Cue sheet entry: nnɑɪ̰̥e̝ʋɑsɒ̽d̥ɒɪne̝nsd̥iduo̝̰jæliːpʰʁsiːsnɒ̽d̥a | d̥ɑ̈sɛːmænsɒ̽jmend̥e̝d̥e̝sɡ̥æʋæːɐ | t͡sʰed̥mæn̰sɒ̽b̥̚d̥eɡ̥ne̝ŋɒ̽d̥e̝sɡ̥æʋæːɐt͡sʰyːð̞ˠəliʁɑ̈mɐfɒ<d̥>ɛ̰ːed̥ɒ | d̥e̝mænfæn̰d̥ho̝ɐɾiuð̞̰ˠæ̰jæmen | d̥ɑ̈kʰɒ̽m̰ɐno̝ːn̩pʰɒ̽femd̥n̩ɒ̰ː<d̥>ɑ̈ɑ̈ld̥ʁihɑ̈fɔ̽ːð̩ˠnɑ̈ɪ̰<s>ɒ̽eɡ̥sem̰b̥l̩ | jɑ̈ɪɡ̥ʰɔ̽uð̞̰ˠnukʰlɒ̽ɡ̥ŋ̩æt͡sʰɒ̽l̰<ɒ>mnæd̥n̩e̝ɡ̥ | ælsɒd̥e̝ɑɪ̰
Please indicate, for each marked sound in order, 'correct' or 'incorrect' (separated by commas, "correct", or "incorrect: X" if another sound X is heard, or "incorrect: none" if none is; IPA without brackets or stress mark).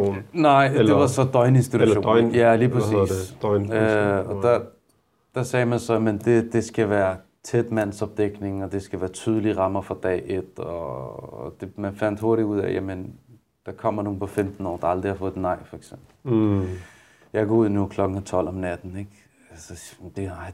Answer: correct, correct, incorrect: f, correct